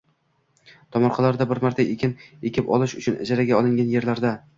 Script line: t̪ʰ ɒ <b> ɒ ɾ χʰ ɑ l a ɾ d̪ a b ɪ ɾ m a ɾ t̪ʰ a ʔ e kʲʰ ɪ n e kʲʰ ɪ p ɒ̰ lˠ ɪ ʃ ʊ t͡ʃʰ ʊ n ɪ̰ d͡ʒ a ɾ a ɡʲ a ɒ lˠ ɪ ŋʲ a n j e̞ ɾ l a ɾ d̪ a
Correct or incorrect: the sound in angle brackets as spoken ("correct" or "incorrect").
incorrect